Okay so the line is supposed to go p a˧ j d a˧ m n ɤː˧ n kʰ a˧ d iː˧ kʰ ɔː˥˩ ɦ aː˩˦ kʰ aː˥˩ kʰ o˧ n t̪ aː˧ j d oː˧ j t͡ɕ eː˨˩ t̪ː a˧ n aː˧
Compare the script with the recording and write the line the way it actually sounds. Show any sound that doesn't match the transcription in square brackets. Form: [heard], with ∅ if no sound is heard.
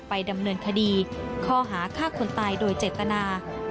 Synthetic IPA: p a˧ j d a˧ m n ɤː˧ n kʰ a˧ d iː˧ kʰ ɔː˥˩ ɦ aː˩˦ kʰ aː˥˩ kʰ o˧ n t̪ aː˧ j d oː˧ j t͡ɕ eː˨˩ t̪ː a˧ n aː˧